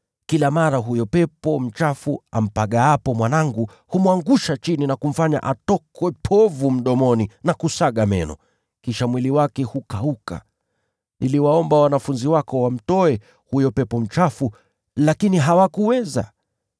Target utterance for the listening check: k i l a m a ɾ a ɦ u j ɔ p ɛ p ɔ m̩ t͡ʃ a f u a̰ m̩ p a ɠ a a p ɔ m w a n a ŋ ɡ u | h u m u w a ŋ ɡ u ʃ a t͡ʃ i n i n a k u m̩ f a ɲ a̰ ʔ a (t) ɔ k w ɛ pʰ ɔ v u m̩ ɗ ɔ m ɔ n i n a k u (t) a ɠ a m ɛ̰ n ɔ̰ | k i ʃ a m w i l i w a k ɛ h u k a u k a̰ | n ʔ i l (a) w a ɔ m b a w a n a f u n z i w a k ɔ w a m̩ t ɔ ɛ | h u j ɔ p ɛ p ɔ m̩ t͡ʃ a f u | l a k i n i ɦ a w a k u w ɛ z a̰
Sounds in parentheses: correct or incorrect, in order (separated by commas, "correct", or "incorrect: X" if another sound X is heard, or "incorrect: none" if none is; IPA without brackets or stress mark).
correct, incorrect: s, incorrect: i